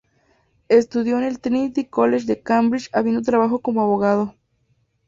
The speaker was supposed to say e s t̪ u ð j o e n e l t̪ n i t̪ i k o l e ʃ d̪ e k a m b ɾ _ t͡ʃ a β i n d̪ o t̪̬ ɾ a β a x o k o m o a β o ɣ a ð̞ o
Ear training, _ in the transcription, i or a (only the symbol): i